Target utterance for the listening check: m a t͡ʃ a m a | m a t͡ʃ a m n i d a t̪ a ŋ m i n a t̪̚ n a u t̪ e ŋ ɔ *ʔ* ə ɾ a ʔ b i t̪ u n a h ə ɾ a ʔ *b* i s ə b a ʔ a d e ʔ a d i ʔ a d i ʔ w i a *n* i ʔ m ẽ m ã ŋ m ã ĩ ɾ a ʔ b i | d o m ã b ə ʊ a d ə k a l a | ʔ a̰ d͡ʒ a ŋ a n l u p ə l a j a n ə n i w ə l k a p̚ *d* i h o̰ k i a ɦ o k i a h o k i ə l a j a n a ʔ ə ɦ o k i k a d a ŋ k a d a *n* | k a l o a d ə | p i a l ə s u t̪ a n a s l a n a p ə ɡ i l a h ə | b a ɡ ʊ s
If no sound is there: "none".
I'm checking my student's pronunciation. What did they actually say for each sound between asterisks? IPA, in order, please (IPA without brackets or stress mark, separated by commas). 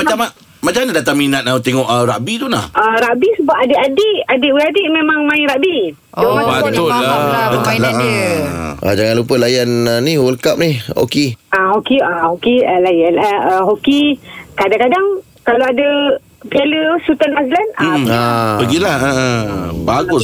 ʔ, b, d, n, ŋ